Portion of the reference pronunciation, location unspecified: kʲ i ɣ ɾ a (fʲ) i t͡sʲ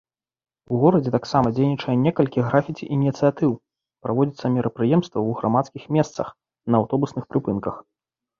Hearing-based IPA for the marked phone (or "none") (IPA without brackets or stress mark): fʲ